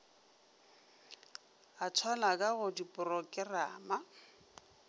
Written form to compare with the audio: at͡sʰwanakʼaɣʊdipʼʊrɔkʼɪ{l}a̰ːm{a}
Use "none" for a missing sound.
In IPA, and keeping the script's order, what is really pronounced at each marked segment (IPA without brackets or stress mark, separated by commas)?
r, a